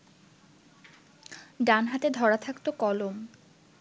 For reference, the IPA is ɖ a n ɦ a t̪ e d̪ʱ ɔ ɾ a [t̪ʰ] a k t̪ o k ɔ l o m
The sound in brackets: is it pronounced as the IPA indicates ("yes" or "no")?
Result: yes